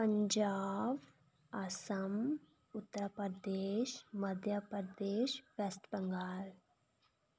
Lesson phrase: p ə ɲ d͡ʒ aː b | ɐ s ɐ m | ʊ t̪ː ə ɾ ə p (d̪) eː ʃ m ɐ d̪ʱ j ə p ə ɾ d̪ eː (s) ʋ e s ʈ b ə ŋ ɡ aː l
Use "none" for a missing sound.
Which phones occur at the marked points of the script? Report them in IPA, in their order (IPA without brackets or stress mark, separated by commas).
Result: d̪, ʃ